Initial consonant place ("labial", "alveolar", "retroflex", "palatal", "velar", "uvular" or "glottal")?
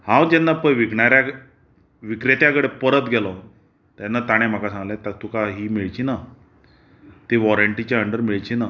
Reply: glottal